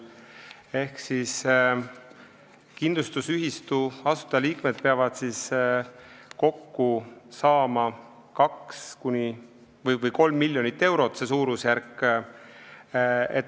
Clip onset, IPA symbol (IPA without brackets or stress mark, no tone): e̞